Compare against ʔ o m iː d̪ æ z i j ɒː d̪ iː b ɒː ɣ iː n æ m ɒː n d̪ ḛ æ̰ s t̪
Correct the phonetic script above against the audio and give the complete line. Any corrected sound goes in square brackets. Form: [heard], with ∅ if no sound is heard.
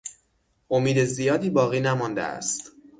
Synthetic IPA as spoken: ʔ o m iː d̪ [e] z i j ɒː d̪ iː b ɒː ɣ iː n æ m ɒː n d̪ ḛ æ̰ s t̪

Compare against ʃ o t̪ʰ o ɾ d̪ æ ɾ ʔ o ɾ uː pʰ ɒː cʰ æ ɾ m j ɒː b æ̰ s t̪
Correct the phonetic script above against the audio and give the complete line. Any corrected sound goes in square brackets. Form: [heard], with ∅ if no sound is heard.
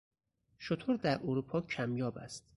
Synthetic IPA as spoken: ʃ o t̪ʰ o ɾ d̪ æ ɾ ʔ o ɾ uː pʰ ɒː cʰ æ [∅] m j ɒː b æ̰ s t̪

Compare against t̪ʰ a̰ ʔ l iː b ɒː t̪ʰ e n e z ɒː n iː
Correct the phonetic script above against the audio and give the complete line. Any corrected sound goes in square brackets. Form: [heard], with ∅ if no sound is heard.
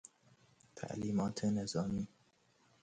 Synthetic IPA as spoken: t̪ʰ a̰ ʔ l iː [m] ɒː t̪ʰ e n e z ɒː [m] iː

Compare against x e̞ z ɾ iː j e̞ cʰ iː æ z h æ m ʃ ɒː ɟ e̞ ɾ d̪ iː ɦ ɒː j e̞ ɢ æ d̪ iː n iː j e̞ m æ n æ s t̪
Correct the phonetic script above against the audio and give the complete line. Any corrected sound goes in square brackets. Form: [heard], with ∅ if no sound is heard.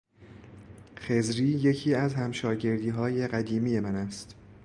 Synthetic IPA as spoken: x e̞ z ɾ iː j e̞ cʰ iː æ z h æ m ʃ ɒː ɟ e̞ ɾ d̪ iː ɦ ɒː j e̞ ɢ æ d̪ iː [m] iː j e̞ m æ n æ s t̪

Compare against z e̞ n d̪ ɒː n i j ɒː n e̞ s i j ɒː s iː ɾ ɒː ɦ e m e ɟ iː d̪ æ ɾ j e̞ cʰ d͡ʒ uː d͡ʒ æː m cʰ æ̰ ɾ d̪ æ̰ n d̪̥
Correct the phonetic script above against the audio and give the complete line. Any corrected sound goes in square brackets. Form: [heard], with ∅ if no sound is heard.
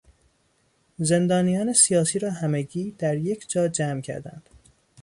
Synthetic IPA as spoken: z e̞ n d̪ ɒː n i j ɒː n e̞ s i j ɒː s iː ɾ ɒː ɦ [æ] m e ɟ iː d̪ æ ɾ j e̞ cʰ d͡ʒ [ɒː] d͡ʒ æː m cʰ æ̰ ɾ d̪ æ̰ n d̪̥

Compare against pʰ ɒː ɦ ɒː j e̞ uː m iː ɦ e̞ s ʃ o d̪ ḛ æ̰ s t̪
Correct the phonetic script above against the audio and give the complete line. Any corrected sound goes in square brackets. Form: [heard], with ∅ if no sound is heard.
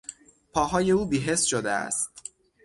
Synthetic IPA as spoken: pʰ ɒː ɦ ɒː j e̞ uː [b] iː ɦ e̞ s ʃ o d̪ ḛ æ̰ s t̪

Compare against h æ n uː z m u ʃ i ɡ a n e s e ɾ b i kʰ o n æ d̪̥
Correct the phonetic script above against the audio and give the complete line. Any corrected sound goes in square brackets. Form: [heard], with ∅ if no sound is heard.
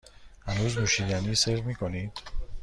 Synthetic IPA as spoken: h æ n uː z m u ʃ i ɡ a n [i] s e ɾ [m] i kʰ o n [i] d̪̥

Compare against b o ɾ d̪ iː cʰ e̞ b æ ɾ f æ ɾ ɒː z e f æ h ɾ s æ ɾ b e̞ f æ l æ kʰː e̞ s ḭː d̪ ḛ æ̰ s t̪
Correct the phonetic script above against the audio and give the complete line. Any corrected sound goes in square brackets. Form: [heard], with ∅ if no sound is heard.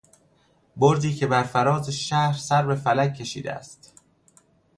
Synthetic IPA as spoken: b o ɾ d̪ iː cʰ e̞ b æ ɾ f æ ɾ ɒː z e [ʃ] æ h ɾ s æ ɾ b e̞ f æ l æ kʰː e̞ [ʃ] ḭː d̪ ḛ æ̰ s t̪

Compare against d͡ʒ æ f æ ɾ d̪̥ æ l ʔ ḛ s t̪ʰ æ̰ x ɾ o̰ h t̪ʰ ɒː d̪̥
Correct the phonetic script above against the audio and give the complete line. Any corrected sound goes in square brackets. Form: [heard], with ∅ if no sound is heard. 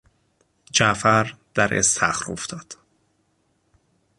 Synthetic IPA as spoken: d͡ʒ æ f æ ɾ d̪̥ æ [ɾ] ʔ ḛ s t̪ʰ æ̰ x ɾ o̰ [f] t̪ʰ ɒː d̪̥

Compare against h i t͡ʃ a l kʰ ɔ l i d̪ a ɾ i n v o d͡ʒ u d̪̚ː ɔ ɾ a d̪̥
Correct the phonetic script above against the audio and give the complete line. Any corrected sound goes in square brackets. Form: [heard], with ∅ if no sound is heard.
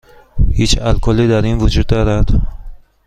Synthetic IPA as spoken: h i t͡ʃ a l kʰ ɔ l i d̪ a ɾ i n v [u] d͡ʒ u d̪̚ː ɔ ɾ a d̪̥

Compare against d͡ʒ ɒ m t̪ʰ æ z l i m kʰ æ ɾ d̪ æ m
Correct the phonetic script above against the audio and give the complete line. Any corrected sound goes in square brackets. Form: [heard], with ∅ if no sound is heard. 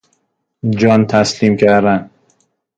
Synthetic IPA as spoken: d͡ʒ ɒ [n] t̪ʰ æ [s] l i m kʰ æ ɾ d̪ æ [n]

